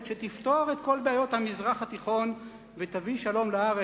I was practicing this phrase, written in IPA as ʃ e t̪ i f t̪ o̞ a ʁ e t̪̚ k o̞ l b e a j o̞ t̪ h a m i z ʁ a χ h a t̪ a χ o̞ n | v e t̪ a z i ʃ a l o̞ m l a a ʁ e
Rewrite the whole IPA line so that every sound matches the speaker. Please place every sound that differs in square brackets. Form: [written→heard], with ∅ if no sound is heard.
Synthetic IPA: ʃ e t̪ i f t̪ o̞ a ʁ e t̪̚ k o̞ l b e a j o̞ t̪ h a m i z ʁ a χ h a t̪ [a→i] χ o̞ n | v e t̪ a [z→v] i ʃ a l o̞ m l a a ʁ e